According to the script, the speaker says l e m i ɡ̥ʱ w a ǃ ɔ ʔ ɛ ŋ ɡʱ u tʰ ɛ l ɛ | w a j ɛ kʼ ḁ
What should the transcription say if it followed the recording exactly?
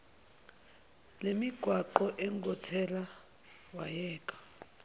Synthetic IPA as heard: l e m i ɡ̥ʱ w a ǃ ɔ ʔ ɛ ŋ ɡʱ ɔ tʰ ɛ l a | w a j ɛː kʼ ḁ